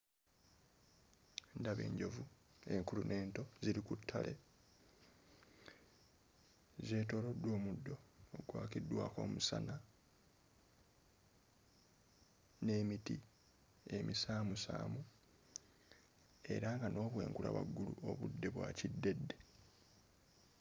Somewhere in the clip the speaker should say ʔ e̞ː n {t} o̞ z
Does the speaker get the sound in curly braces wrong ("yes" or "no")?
no